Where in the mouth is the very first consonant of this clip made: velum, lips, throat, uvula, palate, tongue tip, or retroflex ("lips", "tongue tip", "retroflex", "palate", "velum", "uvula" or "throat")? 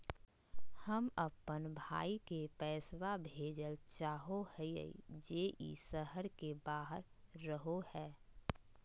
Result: throat